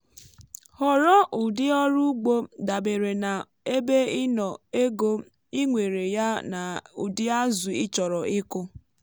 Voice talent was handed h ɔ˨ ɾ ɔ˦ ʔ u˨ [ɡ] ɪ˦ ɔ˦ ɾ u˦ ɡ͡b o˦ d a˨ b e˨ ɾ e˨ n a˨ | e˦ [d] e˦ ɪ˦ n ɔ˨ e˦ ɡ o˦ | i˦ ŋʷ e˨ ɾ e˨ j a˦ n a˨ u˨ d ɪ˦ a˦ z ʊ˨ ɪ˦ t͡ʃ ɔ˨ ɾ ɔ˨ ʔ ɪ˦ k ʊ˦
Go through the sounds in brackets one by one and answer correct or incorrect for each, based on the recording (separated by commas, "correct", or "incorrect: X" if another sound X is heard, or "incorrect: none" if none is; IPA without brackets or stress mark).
incorrect: d, incorrect: b